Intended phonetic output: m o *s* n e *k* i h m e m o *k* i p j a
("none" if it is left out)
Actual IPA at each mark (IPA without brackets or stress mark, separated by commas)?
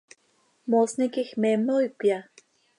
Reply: s, k, none